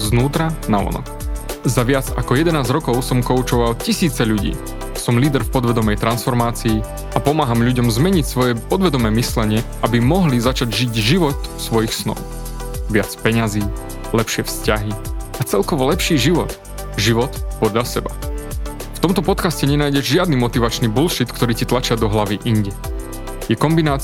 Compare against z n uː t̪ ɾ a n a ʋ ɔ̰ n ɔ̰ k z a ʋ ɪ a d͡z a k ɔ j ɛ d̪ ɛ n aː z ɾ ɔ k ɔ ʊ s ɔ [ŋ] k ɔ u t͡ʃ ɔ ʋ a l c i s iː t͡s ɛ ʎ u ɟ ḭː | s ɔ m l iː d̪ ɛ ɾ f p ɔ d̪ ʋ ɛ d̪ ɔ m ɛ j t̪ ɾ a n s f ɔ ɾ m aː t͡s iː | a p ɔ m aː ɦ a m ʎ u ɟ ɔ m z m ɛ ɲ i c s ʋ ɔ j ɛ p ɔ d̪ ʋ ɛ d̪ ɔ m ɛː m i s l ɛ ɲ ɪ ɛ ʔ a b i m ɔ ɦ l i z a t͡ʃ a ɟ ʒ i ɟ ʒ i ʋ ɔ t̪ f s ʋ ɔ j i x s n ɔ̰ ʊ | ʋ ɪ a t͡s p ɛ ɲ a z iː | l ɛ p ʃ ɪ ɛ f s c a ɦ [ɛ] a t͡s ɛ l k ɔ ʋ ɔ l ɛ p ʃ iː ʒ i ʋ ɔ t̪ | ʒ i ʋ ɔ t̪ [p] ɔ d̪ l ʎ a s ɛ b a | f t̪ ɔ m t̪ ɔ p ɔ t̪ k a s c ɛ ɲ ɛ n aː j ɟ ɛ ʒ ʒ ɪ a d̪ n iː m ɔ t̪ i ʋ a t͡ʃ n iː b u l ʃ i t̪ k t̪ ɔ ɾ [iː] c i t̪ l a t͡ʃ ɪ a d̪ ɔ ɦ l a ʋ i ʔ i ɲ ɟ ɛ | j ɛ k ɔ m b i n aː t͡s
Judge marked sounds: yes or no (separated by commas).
no, no, yes, yes